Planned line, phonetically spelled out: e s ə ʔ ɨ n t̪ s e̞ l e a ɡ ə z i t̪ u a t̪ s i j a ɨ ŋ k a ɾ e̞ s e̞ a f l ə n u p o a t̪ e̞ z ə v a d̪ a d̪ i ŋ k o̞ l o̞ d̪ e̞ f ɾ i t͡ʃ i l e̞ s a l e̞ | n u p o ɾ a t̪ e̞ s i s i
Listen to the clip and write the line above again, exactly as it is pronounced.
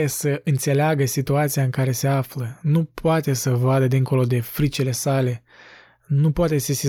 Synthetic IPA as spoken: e s ə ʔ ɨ n t̪ s e̞ l e a ɡ ə s i t̪ u a t̪ s i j a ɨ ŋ k a ɾ e̞ s e̞ a f l ə n u p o a t̪ e̞ s ə v a d̪ ə d̪ i ŋ k o̞ l o̞ d̪ e̞ f ɾ i t͡ʃ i l e̞ s a l e̞ | n u p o a t̪ e̞ s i s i